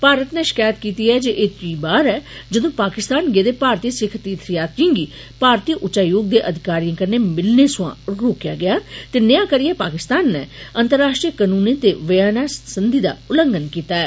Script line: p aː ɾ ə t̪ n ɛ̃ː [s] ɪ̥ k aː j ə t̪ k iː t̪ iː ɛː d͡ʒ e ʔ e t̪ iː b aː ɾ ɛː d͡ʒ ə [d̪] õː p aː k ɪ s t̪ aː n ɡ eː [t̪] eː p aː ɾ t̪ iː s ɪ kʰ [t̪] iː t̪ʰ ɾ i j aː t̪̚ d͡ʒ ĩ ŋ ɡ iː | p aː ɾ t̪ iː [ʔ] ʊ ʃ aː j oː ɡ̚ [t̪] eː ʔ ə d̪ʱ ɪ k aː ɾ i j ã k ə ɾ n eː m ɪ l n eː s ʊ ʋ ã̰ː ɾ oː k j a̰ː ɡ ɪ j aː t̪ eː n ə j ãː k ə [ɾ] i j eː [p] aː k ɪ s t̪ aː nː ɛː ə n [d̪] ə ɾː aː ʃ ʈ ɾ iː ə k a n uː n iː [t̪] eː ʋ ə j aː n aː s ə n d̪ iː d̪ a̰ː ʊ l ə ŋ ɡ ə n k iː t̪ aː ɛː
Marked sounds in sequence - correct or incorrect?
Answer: incorrect: ʃ, correct, incorrect: d̪, correct, correct, incorrect: d̪, correct, correct, incorrect: t̪, correct

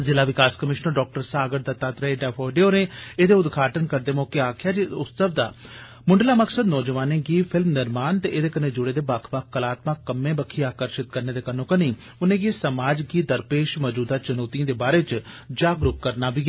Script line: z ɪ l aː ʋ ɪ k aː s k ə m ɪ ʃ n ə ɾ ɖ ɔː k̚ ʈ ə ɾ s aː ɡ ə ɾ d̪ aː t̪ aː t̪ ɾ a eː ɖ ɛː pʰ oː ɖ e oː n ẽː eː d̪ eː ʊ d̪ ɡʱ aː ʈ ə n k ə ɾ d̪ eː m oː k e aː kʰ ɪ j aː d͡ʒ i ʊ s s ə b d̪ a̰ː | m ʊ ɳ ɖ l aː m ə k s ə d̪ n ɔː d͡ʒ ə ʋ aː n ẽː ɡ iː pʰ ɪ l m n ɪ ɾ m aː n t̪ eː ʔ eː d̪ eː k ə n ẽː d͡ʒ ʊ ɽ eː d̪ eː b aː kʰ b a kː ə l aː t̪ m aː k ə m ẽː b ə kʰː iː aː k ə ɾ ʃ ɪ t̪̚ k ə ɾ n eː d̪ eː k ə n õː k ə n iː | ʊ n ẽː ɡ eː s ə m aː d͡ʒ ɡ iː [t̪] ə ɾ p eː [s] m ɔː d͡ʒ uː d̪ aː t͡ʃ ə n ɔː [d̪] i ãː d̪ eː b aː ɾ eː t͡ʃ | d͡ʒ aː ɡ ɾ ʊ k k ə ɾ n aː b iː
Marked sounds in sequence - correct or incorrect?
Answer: incorrect: d̪, incorrect: ʃ, incorrect: t̪

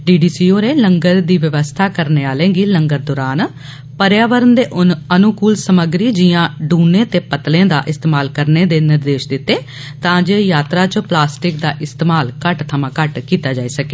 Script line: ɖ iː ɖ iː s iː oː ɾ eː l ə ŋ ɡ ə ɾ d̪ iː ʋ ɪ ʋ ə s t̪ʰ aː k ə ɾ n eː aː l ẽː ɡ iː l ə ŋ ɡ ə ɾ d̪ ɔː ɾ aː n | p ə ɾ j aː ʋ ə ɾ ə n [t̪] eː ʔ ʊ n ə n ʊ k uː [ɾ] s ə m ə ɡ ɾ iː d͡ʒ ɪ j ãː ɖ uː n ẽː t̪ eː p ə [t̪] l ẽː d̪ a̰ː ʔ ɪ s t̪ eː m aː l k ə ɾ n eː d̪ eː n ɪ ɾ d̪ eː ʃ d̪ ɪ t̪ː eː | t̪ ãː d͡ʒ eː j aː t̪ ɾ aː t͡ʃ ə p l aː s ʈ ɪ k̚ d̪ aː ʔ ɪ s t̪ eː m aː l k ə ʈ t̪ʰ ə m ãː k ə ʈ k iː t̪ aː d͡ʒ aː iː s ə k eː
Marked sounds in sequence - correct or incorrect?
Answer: incorrect: d̪, incorrect: l, correct

